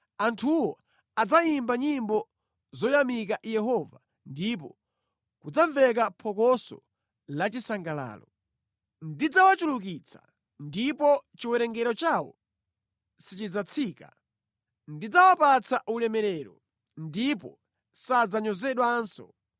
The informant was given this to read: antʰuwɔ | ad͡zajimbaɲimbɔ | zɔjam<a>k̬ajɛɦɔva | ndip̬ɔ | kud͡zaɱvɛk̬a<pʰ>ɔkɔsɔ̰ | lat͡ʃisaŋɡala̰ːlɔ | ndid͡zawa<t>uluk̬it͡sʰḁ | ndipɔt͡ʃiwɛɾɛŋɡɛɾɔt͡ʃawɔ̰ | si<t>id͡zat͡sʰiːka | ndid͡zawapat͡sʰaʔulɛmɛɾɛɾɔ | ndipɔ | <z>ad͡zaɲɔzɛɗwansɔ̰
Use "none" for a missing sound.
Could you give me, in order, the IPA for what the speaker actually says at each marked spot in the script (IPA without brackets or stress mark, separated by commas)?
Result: i, pʰ, t͡ʃ, t͡ʃ, s